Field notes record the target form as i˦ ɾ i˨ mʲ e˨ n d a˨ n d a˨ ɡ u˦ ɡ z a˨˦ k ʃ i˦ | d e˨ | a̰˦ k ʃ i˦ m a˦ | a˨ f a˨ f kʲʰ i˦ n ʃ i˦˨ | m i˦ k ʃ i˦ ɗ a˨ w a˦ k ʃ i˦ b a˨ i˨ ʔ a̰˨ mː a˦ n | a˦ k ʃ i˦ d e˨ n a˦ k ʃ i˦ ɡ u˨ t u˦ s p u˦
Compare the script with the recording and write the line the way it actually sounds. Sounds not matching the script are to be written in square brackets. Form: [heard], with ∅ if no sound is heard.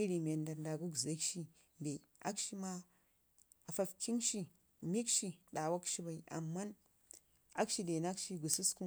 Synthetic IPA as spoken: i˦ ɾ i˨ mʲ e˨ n d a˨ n d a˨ ɡ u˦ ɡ z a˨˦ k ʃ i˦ | d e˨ | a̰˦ k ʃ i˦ m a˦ | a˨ f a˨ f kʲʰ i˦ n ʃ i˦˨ | m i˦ k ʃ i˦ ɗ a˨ w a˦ k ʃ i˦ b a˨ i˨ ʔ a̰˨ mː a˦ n | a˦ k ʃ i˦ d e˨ n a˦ k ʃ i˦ ɡ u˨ [s] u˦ s [k] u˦